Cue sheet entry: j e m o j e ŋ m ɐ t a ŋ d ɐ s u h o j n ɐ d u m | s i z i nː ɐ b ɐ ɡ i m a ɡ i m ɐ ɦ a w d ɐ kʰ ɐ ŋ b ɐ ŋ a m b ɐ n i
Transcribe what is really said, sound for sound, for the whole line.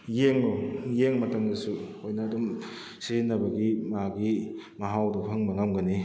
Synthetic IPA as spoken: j e ŋ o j e ŋ m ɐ t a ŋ d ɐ s u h o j n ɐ d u m | s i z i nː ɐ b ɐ ɡ i m a ɡ i m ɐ ɦ a w d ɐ pʰ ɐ ŋ b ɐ ŋ a m ɡ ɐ n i